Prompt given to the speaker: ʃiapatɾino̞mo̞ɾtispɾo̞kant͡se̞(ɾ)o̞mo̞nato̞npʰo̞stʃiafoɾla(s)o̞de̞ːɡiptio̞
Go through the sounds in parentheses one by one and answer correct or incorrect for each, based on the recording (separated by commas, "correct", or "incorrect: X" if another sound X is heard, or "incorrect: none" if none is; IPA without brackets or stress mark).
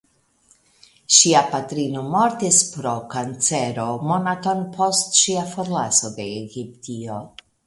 correct, correct